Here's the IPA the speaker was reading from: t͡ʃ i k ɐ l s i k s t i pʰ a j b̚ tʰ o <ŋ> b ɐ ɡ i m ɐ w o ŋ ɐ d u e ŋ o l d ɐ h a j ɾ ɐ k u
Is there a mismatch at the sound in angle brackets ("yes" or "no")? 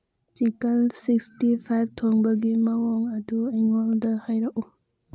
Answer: no